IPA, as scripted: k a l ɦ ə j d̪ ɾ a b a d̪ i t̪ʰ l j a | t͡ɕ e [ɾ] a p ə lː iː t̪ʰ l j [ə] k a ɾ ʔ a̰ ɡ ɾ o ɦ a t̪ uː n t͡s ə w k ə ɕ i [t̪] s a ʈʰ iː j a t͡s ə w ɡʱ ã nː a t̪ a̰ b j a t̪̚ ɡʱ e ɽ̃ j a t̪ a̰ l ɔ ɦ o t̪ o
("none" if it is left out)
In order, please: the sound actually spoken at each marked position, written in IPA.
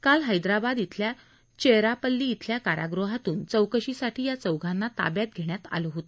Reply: ɾ, a, none

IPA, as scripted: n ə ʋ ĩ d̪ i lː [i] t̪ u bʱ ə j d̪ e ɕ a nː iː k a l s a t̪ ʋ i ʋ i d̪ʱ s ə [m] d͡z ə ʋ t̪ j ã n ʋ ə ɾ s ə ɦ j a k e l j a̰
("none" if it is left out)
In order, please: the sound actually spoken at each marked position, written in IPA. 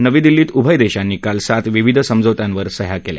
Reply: iː, m

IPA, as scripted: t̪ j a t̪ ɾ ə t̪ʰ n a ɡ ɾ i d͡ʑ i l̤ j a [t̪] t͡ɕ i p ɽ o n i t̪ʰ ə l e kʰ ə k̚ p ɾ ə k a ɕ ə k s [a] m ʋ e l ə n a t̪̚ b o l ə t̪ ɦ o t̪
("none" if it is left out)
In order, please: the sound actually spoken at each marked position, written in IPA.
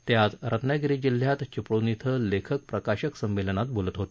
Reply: t̪, ə

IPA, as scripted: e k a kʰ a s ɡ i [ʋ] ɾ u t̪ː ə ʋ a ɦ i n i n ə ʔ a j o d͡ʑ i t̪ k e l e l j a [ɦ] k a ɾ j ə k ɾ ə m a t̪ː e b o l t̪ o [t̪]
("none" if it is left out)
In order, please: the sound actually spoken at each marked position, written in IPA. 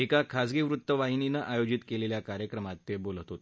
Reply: ʋ, none, t̪

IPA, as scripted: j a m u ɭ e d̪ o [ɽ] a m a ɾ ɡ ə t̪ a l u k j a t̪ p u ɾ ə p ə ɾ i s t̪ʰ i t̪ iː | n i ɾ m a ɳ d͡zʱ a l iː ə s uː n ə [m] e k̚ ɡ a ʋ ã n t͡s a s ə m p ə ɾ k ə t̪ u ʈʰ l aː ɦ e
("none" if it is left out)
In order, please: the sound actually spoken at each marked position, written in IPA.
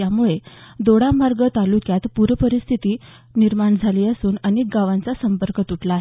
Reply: ɽ, n

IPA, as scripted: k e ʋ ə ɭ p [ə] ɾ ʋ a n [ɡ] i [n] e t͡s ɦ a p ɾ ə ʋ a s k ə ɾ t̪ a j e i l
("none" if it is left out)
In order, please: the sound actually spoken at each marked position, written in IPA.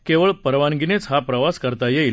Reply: ə, ɡ, n

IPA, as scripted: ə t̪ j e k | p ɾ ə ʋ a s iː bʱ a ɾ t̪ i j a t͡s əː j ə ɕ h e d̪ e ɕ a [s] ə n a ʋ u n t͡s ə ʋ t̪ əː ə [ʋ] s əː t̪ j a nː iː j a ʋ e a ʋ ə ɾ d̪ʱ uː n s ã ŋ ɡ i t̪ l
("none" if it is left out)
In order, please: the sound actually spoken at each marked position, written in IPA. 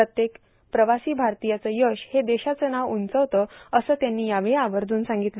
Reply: t͡s, none

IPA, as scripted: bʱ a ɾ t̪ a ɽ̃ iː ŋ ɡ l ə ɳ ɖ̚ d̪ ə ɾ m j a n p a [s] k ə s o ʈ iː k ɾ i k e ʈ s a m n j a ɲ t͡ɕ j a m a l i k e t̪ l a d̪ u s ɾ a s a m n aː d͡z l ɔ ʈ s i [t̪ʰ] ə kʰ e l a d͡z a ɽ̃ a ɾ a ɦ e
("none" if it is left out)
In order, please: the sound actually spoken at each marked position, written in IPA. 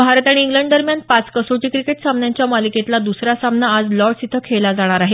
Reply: t͡s, t̪ʰ

